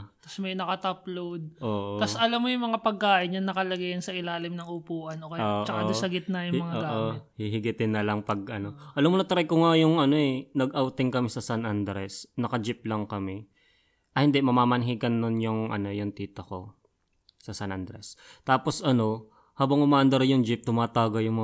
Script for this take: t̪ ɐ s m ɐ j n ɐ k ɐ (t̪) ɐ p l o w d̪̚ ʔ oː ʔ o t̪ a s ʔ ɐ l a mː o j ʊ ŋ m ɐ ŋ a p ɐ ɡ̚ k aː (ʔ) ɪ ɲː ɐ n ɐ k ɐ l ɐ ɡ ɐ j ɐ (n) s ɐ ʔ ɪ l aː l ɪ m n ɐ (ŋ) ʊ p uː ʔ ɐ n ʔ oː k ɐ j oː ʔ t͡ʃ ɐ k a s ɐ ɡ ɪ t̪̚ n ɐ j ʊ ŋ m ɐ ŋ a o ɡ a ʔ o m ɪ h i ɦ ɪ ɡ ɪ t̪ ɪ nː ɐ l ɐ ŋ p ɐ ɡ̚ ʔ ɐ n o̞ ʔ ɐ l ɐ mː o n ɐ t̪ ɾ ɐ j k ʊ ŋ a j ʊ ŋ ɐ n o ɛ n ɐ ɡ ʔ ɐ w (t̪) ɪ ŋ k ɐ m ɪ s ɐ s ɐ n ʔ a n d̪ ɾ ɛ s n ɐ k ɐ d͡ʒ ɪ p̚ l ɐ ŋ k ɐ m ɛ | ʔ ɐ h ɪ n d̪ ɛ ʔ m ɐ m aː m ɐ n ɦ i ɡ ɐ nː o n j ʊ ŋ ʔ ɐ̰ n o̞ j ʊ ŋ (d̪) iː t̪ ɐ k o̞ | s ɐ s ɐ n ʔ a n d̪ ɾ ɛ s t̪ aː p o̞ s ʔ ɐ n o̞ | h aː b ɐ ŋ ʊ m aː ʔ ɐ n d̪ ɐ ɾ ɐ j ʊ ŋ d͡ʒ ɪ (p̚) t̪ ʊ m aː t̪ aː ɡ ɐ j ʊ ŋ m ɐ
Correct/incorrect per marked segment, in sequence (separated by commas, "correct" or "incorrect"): correct, correct, correct, correct, correct, incorrect, correct